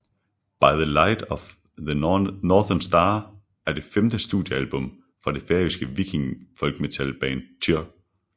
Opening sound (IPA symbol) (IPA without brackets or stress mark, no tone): b̥